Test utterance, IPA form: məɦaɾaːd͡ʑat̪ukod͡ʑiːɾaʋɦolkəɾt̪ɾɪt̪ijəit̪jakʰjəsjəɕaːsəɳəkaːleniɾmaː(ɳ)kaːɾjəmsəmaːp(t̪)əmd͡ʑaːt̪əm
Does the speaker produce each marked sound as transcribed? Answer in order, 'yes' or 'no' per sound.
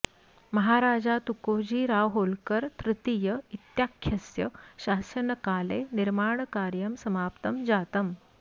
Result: yes, yes

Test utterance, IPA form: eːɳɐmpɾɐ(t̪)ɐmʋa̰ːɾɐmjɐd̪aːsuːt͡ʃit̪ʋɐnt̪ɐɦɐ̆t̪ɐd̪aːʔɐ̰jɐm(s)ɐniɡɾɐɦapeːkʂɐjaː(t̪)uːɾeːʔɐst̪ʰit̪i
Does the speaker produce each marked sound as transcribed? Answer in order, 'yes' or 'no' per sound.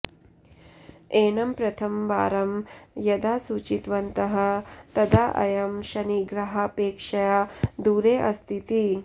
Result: no, no, no

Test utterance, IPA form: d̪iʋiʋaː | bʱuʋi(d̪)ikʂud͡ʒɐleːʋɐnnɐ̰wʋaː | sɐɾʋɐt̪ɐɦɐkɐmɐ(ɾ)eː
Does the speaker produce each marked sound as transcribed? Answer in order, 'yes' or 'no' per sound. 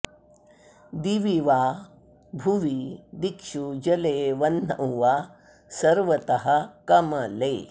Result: yes, no

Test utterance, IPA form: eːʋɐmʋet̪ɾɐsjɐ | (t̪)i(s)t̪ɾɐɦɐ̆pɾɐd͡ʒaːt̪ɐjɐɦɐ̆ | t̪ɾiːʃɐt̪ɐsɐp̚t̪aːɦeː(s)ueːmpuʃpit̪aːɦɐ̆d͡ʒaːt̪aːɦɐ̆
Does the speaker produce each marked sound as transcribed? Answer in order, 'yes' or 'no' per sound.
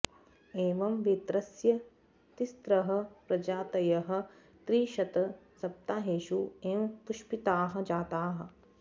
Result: yes, yes, no

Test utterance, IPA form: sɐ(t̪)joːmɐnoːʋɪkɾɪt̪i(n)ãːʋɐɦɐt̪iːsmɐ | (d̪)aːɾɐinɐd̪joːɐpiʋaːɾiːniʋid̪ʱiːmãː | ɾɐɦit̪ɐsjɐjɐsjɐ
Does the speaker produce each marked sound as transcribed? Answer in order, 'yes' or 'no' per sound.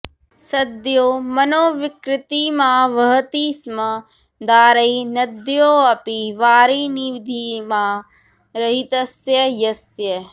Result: no, no, yes

